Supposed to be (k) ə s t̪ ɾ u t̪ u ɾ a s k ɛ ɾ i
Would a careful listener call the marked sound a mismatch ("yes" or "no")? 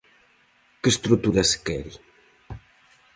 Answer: no